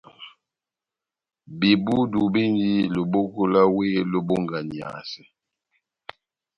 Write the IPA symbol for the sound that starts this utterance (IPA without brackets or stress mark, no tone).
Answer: b